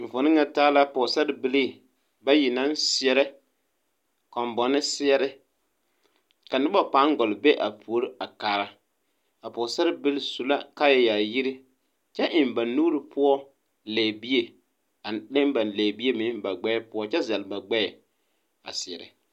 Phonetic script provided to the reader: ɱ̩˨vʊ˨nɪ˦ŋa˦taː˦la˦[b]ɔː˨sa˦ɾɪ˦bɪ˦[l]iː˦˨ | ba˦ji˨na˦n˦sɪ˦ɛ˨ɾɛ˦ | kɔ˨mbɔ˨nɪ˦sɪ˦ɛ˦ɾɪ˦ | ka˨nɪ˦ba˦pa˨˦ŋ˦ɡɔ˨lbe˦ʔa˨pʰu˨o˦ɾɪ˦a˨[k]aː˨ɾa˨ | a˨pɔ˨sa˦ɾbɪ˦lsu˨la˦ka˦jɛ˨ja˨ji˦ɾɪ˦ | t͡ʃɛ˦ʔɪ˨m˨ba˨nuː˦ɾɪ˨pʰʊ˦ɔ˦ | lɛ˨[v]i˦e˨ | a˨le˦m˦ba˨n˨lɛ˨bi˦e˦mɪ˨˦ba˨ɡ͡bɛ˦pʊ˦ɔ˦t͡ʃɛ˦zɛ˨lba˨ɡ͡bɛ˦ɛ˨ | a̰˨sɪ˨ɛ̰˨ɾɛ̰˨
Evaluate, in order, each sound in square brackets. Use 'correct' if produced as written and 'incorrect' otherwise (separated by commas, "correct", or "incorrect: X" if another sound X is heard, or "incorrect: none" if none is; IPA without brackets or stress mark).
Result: incorrect: p, correct, correct, incorrect: b